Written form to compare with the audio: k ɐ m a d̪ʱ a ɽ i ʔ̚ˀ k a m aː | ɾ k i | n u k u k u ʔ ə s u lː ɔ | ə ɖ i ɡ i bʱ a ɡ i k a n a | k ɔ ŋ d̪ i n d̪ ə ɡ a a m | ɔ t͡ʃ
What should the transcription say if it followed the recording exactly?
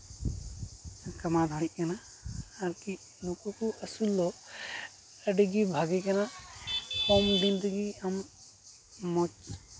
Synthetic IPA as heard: k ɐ m a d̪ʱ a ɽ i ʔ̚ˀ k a n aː | ɾ k i | n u k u k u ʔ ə s u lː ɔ | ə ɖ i ɡ i bʱ a ɡ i k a n a | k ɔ m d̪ i n d̪ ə ɡ i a m | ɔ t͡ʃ

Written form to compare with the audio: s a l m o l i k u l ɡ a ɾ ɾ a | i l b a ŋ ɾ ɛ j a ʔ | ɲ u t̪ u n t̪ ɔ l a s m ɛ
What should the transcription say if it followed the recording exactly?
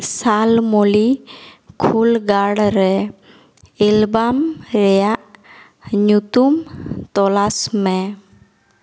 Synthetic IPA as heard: s a l m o l i kʰ u l ɡ a ɽ ɾ ɛ | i l b a m ɾ ɛ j a ʔ | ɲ u t̪ u m t̪ ɔ l a s m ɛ

